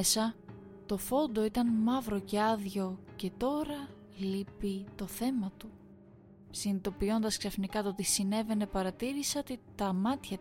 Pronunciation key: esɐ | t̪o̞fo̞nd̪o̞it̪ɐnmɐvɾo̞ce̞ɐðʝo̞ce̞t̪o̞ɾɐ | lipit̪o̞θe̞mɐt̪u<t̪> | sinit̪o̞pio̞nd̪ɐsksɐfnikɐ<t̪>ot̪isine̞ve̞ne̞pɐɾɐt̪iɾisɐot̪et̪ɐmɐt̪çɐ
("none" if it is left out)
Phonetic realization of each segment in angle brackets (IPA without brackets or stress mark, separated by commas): none, t̪